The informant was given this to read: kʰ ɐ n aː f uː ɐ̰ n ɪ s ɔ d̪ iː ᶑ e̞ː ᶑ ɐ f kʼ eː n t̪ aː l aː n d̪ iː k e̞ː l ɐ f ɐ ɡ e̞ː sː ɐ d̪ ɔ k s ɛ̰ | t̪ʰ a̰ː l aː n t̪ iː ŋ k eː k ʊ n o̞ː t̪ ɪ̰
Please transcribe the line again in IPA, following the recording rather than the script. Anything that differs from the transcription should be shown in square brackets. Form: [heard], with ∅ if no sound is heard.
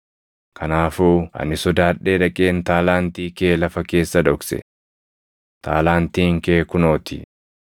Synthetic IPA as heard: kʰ ɐ n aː f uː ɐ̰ n ɪ s ɔ d̪ [aː] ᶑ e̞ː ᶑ ɐ [∅] kʼ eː n t̪ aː l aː n [t̪] iː k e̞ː l ɐ f ɐ [k] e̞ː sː ɐ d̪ ɔ k s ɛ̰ | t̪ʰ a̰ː l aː n t̪ iː ŋ k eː k ʊ n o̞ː t̪ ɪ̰